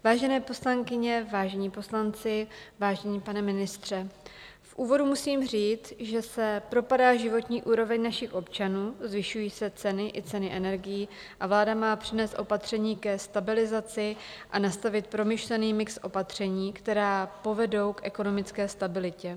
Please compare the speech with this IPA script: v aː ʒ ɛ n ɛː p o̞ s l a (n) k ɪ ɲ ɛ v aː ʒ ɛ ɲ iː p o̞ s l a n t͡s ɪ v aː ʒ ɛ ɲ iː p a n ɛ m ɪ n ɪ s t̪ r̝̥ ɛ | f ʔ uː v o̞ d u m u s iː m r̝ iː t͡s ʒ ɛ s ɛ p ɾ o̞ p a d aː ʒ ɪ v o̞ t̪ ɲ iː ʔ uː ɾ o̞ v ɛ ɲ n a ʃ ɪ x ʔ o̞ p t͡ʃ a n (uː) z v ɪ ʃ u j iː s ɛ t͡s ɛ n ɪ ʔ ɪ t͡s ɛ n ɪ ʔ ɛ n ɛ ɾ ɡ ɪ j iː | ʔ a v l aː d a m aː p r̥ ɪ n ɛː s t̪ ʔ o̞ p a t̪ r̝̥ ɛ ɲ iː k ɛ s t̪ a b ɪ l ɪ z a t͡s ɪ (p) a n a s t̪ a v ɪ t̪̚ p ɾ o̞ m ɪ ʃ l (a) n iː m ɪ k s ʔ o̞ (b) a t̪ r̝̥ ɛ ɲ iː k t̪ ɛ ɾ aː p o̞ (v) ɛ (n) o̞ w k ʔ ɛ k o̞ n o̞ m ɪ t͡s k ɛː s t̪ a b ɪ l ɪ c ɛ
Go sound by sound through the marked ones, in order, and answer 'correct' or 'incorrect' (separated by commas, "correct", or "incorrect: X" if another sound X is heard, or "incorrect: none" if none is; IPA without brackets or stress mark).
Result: incorrect: ŋ, correct, incorrect: ʔ, incorrect: ɛ, incorrect: p, correct, incorrect: d